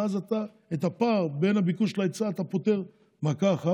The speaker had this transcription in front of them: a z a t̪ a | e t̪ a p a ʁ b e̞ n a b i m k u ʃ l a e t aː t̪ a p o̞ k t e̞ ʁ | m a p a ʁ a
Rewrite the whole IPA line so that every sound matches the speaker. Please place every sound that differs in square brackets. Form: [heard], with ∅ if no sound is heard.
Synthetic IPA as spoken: a z a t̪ a | e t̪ a p a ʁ b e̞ n a b i [∅] k u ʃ l a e [t͡s] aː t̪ a p o̞ [∅] t e̞ ʁ | m a [k] a [χ] a